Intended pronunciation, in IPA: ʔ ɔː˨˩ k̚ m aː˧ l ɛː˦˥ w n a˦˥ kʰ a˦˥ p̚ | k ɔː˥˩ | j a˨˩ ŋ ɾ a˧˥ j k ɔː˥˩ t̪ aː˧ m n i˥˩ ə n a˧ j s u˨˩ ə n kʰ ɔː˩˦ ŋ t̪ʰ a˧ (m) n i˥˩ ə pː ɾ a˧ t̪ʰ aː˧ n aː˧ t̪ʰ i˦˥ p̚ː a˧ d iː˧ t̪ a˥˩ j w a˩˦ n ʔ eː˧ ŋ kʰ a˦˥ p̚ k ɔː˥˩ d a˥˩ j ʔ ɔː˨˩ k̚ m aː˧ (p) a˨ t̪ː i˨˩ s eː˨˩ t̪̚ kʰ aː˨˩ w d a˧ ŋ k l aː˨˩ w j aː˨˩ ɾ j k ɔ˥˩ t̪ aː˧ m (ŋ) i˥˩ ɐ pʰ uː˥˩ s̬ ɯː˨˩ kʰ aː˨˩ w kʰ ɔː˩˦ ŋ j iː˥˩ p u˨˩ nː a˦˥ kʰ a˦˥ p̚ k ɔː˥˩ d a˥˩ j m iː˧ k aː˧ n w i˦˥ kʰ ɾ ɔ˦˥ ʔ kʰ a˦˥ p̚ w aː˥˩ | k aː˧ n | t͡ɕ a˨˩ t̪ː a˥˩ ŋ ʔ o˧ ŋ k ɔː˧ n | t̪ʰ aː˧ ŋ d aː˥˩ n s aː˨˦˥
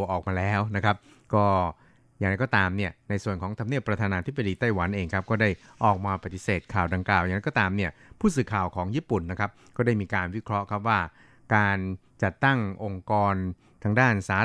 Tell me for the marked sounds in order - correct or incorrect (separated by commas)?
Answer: correct, correct, incorrect